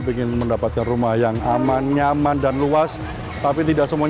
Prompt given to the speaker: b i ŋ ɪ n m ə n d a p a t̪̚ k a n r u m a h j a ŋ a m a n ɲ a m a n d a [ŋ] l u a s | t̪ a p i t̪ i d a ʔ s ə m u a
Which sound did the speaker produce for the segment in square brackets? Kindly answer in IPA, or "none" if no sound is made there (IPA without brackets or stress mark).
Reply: n